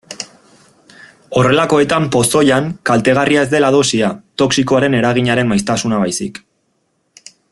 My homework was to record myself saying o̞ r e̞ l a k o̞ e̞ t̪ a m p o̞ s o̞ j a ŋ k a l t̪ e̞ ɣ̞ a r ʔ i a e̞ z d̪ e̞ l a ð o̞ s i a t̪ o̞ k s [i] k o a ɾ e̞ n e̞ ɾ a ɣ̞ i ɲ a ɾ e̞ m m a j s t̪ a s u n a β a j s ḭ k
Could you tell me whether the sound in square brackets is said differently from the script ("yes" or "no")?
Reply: no